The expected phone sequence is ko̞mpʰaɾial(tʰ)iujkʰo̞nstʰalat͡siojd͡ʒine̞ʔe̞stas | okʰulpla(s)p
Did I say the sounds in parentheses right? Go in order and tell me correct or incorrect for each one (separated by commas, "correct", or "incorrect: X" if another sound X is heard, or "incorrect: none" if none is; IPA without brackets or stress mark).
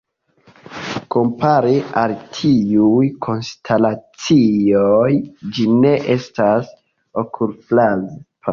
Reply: correct, incorrect: z